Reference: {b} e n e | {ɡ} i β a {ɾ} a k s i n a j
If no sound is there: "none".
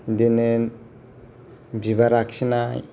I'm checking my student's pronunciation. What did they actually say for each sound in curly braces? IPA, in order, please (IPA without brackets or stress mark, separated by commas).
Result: d, b, ɾ